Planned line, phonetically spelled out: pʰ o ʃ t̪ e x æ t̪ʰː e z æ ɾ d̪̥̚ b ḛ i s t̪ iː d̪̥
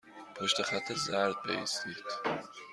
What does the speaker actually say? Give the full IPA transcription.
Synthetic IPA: pʰ o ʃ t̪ e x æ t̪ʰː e z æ ɾ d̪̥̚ b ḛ i s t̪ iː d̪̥